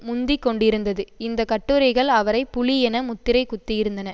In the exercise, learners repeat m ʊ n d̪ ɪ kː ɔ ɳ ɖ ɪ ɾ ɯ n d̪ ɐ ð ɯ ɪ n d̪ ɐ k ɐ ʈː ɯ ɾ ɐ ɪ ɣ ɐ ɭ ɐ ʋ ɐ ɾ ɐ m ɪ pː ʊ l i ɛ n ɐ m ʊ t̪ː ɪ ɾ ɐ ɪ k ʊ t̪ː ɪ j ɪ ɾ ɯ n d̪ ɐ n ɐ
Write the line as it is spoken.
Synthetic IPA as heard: m ʊ n d̪ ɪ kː ɔ ɳ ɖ ɪ ɾ ɯ n d̪ ɐ ð ɯ ɪ n d̪ ɐ k ɐ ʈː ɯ ɾ ɐ ɪ ɣ ɐ ɭ ɐ ʋ ɐ ɾ ɐ ɪ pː ʊ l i ɛ n ɐ m ʊ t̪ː ɪ ɾ ɐ ɪ k ʊ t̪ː ɪ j ɪ ɾ ɯ n d̪ ɐ n ɐ